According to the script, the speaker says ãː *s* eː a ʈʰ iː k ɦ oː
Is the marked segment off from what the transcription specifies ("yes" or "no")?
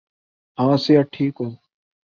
no